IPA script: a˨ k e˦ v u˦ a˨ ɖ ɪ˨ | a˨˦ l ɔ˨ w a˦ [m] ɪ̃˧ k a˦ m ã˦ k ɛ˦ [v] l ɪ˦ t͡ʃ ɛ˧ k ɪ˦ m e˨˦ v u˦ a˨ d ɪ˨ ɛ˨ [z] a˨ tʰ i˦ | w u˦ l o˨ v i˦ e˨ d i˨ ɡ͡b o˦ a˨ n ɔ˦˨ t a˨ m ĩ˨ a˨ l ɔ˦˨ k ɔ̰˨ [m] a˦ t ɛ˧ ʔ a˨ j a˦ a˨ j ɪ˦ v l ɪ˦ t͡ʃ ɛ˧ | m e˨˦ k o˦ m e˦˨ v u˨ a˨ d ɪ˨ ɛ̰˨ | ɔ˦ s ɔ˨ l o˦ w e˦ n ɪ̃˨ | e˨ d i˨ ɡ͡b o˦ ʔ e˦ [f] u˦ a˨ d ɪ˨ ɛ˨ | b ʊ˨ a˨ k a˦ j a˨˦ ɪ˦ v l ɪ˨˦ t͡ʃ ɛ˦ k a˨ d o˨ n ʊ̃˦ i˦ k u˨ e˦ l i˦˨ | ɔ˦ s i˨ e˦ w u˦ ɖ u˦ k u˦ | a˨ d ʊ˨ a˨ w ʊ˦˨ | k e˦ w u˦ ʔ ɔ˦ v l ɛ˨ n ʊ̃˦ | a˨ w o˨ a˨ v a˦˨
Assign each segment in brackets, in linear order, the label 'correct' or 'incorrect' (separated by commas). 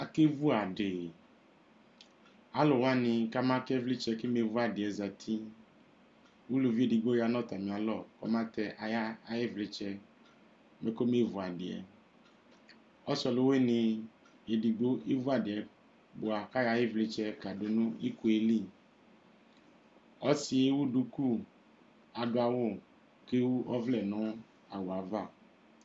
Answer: incorrect, correct, correct, correct, incorrect